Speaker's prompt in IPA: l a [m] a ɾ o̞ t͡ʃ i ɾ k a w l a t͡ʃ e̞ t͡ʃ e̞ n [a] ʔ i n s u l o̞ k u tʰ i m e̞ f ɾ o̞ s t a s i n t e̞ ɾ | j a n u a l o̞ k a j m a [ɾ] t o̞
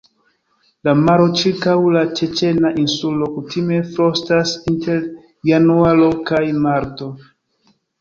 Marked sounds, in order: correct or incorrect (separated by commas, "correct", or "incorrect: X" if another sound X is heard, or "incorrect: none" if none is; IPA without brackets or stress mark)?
correct, correct, correct